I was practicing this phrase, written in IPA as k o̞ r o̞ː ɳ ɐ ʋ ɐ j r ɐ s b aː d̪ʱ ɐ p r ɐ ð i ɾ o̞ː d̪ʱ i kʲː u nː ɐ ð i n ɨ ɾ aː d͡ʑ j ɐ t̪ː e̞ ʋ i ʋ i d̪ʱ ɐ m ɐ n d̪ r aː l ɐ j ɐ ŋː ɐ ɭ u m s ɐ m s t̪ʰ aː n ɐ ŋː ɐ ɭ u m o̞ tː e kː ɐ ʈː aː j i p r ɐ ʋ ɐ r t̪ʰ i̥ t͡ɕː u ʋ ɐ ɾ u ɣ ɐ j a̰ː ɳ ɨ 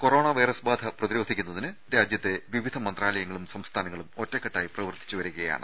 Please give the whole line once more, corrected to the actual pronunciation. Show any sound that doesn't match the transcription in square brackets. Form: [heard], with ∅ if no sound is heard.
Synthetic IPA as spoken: k o̞ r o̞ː ɳ ɐ ʋ ɐ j r ɐ s b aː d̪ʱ ɐ p r ɐ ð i ɾ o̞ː d̪ʱ i kʲː u nː ɐ ð i n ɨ ɾ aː d͡ʑ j ɐ t̪ː e̞ ʋ i ʋ i d̪ʱ ɐ m ɐ n d̪ r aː l ɐ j ɐ ŋː ɐ ɭ u m s ɐ m s t̪ʰ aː n ɐ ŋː ɐ ɭ u m o̞ tː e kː ɐ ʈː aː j i p r ɐ ʋ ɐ r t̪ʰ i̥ t͡ɕː u ʋ ɐ ɾ u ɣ ɐ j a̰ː ɳ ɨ

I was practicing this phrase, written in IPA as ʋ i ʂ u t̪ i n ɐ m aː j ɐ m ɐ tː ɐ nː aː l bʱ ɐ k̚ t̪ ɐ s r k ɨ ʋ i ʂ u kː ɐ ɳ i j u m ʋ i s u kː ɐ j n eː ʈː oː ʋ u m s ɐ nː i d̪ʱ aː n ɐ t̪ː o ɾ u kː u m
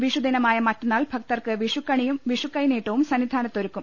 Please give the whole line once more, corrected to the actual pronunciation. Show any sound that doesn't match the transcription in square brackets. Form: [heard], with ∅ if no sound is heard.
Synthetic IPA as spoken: ʋ i ʂ u [d̪] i n ɐ m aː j ɐ m ɐ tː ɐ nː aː l bʱ ɐ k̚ t̪ ɐ [∅] r k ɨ ʋ i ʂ u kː ɐ ɳ i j u m ʋ i [ʂ] u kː ɐ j n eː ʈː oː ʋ u m s ɐ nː i d̪ʱ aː n ɐ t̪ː o ɾ u kː u m

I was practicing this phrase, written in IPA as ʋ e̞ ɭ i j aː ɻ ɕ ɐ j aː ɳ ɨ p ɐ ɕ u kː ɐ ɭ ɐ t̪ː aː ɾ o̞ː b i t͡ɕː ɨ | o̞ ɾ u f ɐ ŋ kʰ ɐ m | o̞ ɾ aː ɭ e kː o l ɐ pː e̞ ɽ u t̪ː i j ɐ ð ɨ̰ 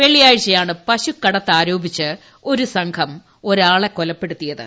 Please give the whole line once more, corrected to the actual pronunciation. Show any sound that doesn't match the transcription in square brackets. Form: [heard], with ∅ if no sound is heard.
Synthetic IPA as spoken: ʋ e̞ ɭ i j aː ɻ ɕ ɐ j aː ɳ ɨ p ɐ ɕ u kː ɐ [ɽ] ɐ t̪ː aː ɾ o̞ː b i t͡ɕː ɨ | o̞ ɾ u [s] ɐ ŋ kʰ ɐ m | o̞ ɾ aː ɭ e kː o l ɐ pː e̞ ɽ u t̪ː i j ɐ ð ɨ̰

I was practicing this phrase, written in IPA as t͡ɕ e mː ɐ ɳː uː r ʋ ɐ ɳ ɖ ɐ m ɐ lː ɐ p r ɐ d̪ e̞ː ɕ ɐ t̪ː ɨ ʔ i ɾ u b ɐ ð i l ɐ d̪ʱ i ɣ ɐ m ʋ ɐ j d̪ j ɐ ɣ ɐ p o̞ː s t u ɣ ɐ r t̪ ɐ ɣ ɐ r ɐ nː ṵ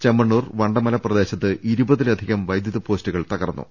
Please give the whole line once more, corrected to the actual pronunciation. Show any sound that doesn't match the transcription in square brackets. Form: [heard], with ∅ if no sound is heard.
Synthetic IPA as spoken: t͡ɕ e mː ɐ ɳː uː r ʋ ɐ ɳ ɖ ɐ m ɐ [l] ɐ p r ɐ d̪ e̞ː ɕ ɐ t̪ː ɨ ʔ i ɾ u b ɐ ð i l ɐ d̪ʱ i ɣ ɐ m ʋ ɐ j d̪ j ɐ [ð] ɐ p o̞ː s t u ɣ ɐ [ɭ] t̪ ɐ ɣ ɐ r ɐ nː ṵ

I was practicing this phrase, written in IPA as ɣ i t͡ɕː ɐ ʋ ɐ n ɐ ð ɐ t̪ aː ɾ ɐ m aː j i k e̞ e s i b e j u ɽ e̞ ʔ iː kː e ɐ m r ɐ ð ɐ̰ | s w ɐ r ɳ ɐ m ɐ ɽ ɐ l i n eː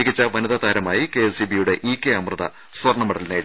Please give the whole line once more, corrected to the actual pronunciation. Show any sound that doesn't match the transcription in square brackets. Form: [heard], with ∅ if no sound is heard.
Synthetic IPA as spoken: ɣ i t͡ɕː ɐ ʋ ɐ n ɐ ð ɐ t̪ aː ɾ ɐ m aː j i k e̞ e s i b [i] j u ɽ e̞ ʔ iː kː e ɐ m r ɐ ð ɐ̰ | s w ɐ r ɳ ɐ m ɐ ɽ ɐ l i n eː

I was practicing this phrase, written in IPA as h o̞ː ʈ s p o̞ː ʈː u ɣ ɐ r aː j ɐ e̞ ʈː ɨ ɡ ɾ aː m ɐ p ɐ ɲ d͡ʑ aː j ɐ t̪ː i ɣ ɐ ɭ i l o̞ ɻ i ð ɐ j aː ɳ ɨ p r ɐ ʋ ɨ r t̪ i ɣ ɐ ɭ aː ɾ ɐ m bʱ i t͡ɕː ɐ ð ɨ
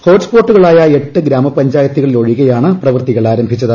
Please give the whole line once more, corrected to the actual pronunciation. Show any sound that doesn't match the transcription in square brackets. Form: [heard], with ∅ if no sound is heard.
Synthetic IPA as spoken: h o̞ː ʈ s p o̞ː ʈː u ɣ ɐ [ɭ] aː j ɐ e̞ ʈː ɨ ɡ ɾ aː m ɐ p ɐ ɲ d͡ʑ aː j ɐ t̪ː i ɣ ɐ ɭ i l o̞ ɻ i [ɣ] ɐ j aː ɳ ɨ p r ɐ ʋ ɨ r t̪ i ɣ ɐ ɭ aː ɾ ɐ m bʱ i t͡ɕː ɐ ð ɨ

